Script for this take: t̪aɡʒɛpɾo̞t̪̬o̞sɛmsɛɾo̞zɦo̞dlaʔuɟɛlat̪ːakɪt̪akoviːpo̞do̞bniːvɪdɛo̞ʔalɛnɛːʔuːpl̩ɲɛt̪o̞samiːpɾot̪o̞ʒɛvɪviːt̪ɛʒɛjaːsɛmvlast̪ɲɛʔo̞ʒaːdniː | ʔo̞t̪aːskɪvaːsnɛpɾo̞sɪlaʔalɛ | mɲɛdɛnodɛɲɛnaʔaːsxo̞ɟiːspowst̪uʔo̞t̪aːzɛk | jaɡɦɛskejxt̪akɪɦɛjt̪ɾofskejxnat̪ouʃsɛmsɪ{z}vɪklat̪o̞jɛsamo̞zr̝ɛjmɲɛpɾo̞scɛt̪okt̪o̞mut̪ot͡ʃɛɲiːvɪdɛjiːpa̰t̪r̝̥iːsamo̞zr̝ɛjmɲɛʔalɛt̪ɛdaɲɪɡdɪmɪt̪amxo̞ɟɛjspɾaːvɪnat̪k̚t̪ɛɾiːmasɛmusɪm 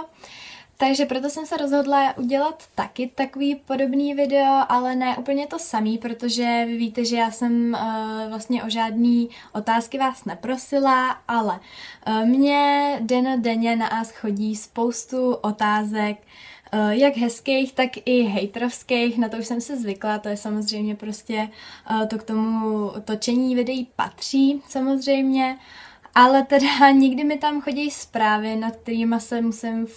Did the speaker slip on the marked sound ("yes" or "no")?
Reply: no